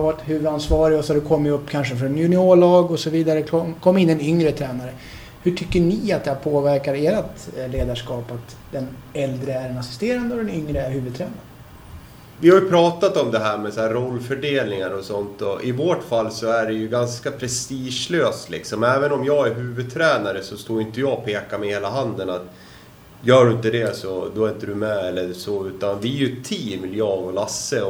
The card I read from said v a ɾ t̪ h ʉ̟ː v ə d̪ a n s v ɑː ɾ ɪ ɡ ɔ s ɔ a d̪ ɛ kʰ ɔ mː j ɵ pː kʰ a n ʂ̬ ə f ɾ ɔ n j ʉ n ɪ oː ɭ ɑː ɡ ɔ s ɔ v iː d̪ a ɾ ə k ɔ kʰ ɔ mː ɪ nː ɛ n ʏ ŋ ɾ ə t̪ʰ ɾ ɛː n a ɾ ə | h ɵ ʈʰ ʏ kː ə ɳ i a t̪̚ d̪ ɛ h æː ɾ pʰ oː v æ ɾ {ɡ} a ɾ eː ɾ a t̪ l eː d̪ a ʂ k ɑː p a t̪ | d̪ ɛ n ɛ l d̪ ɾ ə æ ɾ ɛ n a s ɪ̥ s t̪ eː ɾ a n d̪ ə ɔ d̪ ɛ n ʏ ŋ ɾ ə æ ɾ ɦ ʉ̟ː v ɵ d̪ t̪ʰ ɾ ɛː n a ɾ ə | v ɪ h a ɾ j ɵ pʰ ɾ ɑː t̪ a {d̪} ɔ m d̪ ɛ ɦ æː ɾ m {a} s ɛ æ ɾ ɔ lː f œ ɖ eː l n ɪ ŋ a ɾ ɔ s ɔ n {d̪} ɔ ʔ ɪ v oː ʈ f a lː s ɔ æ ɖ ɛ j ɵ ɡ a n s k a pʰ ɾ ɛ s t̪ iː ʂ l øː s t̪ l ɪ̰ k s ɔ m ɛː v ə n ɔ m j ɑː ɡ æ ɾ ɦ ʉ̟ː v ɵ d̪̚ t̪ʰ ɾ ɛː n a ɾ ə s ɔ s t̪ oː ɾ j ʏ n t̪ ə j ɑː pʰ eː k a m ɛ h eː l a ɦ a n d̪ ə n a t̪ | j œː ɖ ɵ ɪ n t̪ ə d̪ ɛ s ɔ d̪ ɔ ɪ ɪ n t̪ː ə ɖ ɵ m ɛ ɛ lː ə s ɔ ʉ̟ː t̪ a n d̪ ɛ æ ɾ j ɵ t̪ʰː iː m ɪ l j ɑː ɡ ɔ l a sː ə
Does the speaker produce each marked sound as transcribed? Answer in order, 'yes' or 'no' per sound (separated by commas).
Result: no, no, no, no